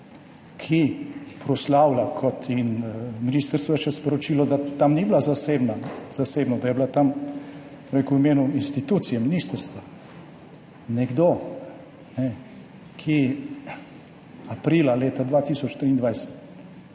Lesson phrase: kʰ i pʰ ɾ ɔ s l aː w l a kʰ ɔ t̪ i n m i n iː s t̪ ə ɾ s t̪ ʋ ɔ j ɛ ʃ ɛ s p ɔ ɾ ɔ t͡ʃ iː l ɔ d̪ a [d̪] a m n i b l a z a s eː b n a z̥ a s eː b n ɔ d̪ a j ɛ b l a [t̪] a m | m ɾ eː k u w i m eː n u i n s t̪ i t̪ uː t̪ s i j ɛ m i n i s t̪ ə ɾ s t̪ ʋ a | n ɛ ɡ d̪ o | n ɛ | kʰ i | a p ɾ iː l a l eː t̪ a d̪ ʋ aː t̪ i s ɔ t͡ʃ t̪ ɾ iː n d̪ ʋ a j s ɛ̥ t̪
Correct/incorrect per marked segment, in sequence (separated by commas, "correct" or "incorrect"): incorrect, correct